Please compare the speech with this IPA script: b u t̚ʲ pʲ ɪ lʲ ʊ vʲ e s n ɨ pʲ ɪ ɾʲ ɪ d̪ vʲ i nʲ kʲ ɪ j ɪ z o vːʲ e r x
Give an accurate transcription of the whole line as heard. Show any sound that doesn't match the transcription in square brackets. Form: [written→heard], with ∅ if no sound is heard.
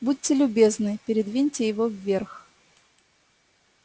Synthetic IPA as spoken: b u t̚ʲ [pʲ→tʲ] ɪ lʲ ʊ [vʲ→bʲ] e [s→z] n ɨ pʲ ɪ ɾʲ ɪ d̪ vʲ i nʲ [kʲ→tʲ] ɪ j ɪ [z→v] o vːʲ e r x